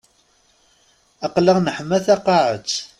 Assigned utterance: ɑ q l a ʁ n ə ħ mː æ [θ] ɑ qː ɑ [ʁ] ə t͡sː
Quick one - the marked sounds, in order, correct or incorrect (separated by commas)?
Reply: correct, incorrect